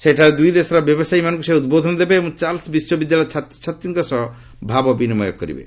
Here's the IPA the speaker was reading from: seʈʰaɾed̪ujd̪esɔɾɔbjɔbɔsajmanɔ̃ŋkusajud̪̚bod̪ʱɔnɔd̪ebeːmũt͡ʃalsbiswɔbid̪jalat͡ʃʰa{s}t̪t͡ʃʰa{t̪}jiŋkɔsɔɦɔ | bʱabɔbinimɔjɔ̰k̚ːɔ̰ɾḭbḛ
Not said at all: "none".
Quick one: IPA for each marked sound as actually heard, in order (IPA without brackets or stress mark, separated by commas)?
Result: none, t̪